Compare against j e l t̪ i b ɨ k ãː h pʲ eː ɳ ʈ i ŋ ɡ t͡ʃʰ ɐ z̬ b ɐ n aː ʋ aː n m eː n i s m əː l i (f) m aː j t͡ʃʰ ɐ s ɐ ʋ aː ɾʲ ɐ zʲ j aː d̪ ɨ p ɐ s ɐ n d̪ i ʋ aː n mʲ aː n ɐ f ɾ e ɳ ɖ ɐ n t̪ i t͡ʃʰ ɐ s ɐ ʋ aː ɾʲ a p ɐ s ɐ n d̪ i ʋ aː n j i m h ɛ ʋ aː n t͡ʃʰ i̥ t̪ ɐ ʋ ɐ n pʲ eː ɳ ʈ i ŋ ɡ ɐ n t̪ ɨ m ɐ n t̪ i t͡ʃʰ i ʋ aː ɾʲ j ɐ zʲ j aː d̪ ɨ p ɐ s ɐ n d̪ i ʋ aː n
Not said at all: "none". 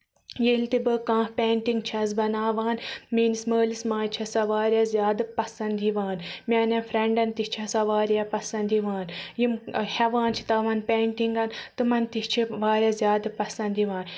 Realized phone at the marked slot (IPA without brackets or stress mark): s